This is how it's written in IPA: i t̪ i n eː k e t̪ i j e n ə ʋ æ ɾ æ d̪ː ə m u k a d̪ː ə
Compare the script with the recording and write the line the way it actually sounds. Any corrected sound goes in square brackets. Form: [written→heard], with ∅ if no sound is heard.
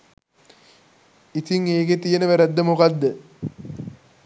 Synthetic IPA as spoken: i t̪ i [n→ŋ] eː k e t̪ i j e n ə ʋ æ ɾ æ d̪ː ə m u k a d̪ː ə